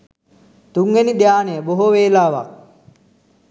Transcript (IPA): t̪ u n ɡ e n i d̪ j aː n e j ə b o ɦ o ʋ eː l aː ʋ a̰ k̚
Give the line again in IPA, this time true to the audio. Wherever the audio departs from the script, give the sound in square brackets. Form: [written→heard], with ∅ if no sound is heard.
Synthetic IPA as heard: t̪ u [n→ŋ] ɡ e n i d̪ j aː n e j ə b o ɦ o ʋ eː l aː ʋ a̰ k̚